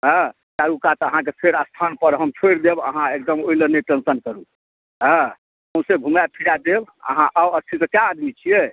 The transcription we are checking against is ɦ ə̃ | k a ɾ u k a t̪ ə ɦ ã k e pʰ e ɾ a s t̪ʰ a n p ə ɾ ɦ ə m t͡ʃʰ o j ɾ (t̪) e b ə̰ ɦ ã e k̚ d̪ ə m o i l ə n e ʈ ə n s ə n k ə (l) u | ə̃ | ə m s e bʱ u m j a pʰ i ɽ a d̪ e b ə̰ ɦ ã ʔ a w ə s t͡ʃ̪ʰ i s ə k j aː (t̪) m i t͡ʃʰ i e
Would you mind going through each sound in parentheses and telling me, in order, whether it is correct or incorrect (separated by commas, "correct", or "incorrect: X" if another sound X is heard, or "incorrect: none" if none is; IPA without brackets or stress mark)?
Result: incorrect: d̪, incorrect: ɾ, incorrect: d̪